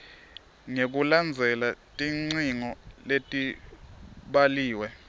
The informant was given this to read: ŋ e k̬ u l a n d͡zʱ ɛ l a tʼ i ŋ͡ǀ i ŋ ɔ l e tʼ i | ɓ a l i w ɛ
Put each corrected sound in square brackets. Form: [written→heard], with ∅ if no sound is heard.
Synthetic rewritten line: ŋ e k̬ u l a n d͡zʱ ɛ l a tʼ i ŋ͡ǀ i ŋ ɔ l e tʼ i | ɓ a l [i→iː] w ɛ